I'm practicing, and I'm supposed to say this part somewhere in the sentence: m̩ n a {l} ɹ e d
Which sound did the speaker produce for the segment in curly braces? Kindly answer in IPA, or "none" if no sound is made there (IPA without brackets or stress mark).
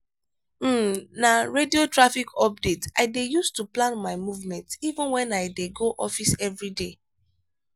none